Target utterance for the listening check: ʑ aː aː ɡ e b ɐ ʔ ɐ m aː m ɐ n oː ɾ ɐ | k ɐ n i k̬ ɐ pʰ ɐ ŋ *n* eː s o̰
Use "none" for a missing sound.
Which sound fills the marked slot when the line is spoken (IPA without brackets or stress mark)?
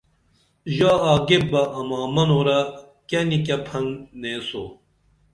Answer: n